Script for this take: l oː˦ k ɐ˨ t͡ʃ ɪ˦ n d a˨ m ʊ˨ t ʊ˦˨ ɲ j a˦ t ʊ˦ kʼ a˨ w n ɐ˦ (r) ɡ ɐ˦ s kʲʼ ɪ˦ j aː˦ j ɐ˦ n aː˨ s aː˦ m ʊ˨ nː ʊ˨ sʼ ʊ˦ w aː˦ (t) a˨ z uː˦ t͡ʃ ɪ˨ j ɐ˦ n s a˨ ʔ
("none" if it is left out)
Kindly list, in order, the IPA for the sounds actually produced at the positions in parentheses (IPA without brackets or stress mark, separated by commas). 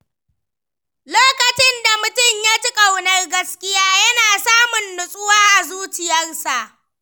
r, ʔ